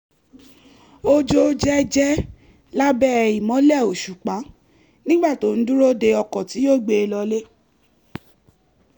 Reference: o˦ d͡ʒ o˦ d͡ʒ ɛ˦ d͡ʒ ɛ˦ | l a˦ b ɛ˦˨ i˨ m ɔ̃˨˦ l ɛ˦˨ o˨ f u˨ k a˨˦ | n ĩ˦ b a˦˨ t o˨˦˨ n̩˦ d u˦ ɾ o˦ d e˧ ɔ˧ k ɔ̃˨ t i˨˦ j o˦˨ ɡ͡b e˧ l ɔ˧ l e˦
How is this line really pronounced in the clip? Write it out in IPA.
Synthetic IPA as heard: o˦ d͡ʒ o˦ d͡ʒ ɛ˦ d͡ʒ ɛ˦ | l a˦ b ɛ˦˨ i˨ m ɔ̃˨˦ l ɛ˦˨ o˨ ʃ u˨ k͡p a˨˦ | n ĩ˦ ɡ͡b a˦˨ t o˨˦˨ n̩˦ d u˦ ɾ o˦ d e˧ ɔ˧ k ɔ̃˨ t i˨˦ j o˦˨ ɡ͡b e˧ l ɔ˧ l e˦